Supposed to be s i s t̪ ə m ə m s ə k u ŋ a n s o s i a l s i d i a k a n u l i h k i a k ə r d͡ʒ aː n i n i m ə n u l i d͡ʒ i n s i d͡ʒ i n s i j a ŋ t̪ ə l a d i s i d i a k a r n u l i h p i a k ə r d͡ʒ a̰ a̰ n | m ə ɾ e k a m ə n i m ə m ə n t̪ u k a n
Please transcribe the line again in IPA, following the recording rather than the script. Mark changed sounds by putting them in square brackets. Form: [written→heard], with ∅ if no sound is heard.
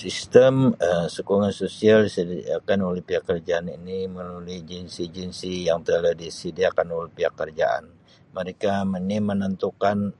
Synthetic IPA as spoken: s i s t̪ ə m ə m s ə k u ŋ a n s o s i a l s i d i a k a n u l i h [k→p] i a k ə r d͡ʒ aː n i n i m ə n u l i d͡ʒ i n s i d͡ʒ i n s i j a ŋ t̪ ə l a d i s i d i a k a [r→∅] n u l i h p i a k ə r d͡ʒ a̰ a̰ n | m ə ɾ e k a m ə n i m ə [m→n] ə n t̪ u k a n